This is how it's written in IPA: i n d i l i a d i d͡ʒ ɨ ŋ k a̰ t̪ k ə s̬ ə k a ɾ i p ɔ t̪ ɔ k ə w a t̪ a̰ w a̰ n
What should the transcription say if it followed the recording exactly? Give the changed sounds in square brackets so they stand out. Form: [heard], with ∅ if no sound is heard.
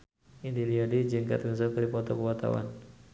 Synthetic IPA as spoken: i n d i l i a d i d͡ʒ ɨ ŋ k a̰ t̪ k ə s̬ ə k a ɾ i p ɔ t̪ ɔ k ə w a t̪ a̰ w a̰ n